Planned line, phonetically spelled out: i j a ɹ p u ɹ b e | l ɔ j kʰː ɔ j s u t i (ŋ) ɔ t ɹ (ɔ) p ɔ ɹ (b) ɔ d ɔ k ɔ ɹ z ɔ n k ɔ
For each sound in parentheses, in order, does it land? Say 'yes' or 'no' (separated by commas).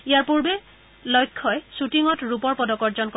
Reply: yes, no, no